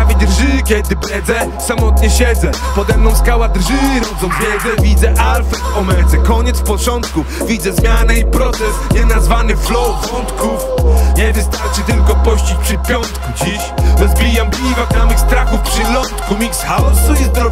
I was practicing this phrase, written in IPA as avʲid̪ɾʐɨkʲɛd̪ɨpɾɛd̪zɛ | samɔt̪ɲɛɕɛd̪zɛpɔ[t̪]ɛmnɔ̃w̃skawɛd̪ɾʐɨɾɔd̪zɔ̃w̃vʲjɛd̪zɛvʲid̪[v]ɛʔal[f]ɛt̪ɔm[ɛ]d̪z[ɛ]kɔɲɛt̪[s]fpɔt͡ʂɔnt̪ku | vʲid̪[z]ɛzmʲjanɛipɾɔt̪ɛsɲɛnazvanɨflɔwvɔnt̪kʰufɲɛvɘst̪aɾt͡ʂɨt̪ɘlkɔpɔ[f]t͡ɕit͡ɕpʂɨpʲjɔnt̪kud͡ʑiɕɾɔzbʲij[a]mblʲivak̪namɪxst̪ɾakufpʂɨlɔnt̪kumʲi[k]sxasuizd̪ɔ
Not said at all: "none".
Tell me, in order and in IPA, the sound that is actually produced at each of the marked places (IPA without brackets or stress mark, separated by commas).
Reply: d̪, z, f, ɛ, ɛ, s, z, ɕ, a, k